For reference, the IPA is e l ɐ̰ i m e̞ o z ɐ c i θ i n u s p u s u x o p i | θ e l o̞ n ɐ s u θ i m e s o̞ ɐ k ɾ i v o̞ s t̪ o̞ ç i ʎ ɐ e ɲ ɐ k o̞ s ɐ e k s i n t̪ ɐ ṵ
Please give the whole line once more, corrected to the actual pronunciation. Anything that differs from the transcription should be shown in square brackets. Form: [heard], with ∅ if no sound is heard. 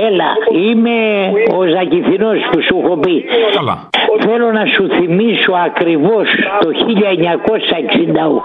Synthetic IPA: e l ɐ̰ i m e̞ o z ɐ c i θ i n [o] s p u s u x o p i | θ e l o̞ n ɐ s u θ i m [i] s o̞ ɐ k ɾ i v o̞ s t̪ o̞ ç i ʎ ɐ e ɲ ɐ k o̞ s ɐ e k s i n [d̪] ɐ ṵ